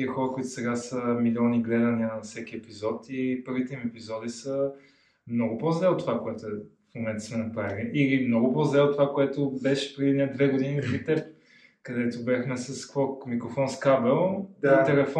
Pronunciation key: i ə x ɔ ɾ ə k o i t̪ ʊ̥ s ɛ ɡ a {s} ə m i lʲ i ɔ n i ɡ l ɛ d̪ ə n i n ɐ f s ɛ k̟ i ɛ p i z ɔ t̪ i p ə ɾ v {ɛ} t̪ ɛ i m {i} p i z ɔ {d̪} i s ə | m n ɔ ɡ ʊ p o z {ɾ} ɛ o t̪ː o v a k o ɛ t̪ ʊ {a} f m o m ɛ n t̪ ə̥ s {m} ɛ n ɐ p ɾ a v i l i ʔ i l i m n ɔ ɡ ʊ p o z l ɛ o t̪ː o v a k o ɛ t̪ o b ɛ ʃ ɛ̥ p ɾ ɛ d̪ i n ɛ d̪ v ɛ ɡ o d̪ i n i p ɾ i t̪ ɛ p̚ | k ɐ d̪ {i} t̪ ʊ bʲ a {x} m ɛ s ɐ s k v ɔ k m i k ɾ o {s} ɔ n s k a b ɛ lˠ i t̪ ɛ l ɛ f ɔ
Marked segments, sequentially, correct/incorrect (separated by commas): correct, incorrect, incorrect, correct, incorrect, incorrect, correct, incorrect, correct, incorrect